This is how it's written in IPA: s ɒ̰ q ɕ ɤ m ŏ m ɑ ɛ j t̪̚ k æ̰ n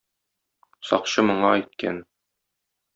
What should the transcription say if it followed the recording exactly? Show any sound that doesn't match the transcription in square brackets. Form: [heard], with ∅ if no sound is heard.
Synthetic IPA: s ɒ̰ q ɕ ɤ m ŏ [ɴ] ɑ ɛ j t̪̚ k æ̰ n